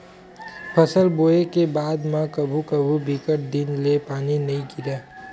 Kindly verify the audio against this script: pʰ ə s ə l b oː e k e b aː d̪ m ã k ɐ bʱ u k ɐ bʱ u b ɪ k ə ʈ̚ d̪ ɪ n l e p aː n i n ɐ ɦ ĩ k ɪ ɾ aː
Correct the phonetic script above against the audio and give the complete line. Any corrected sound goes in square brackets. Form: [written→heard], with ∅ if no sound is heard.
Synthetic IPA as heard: pʰ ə s ə l b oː e k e b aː d̪ m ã k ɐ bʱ u k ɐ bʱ u b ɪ k ə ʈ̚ d̪ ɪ n l e p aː n i n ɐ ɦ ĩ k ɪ ɾ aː